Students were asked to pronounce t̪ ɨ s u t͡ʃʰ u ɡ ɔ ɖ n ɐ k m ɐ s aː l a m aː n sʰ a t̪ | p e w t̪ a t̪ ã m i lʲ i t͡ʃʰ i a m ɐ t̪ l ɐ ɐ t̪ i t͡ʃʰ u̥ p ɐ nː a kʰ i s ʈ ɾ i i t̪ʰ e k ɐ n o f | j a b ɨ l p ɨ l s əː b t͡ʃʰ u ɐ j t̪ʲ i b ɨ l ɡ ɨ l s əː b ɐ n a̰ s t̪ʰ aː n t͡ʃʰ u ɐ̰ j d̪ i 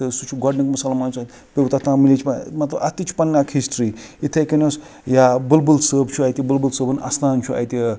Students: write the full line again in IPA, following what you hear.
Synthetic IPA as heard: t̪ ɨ s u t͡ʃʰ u ɡ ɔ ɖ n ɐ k m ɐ s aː l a m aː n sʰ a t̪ | p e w t̪ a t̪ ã m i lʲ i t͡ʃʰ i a m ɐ t̪ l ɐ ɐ t̪ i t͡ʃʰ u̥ p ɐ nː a kʰ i s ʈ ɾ i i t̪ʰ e k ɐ n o s | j a b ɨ l b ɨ l s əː b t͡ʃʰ u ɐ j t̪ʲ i b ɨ l b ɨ l s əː b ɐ n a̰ s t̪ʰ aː n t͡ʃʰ u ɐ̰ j t̪ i